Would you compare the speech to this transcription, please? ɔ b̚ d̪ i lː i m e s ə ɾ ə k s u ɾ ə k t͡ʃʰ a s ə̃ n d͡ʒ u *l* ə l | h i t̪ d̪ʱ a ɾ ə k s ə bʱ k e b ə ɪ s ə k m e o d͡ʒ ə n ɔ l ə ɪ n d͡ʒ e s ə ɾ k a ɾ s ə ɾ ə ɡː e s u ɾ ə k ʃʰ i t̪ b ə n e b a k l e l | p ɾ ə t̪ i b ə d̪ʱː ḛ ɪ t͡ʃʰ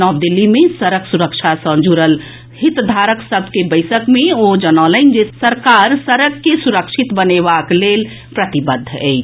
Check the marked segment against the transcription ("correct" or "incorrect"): incorrect